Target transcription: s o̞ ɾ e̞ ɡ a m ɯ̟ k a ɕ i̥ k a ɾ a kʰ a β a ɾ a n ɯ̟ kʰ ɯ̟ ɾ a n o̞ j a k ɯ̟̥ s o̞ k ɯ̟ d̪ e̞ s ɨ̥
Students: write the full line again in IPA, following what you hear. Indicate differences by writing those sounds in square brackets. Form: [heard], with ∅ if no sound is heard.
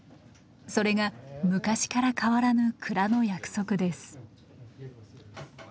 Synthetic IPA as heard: s o̞ ɾ e̞ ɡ a m ɯ̟ k a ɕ i̥ k a ɾ a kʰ a β a ɾ a n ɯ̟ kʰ ɯ̟ ɾ a n o̞ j a k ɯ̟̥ s o̞ k ɯ̟ d̪ e̞ s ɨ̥